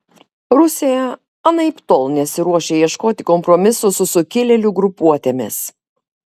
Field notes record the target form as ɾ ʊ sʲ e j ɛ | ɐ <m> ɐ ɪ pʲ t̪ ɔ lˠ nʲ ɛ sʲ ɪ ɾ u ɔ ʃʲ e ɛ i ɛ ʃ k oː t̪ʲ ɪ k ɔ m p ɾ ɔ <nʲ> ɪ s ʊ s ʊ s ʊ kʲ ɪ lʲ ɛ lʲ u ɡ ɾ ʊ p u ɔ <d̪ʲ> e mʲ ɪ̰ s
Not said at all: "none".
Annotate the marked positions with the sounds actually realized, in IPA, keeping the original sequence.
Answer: n, mʲ, t̪ʲ

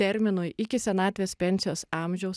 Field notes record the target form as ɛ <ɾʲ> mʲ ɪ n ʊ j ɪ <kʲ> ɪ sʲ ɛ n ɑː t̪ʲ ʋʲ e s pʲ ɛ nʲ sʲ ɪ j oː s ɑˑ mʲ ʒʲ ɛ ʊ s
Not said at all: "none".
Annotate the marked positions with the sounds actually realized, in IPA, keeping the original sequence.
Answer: ɾʲ, kʲ

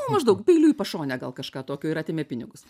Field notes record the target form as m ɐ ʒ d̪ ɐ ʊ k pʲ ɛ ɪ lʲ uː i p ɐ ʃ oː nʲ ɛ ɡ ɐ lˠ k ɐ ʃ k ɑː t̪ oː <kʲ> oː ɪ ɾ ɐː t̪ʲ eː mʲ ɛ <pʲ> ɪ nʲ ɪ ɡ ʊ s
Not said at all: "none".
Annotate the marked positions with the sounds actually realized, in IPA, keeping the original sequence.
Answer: kʲ, pʲ

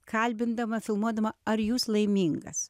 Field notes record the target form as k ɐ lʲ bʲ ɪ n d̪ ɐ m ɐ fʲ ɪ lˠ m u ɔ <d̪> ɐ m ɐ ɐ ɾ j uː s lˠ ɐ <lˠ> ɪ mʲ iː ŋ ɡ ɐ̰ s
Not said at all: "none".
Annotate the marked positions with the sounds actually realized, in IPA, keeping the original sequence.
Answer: d̪, none

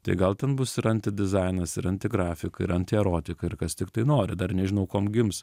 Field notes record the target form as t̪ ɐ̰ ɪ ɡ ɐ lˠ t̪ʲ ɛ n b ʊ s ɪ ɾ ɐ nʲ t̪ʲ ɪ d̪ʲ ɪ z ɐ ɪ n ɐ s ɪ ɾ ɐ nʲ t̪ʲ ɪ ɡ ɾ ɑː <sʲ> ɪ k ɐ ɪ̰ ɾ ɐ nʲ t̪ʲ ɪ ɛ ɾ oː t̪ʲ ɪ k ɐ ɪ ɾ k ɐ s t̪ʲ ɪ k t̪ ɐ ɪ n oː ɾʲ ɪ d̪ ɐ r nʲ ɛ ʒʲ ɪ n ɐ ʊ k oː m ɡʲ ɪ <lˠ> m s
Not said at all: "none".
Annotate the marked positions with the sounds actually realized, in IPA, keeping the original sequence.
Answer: fʲ, none

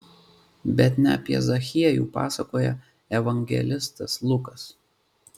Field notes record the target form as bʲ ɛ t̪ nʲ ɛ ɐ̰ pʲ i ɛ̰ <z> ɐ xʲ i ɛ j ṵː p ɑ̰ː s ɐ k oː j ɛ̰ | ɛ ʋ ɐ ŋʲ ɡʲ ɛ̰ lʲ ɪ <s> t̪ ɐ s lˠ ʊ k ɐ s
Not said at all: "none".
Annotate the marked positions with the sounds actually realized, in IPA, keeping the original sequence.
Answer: z, s

